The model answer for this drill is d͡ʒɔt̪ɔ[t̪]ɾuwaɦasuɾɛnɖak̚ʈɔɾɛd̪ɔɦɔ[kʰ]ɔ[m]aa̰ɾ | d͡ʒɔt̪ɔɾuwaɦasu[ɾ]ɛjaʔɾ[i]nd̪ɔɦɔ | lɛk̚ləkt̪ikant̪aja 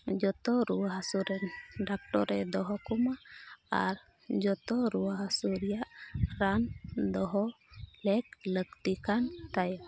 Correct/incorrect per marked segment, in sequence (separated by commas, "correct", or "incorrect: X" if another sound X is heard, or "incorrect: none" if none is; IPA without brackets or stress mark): incorrect: none, incorrect: k, correct, correct, incorrect: a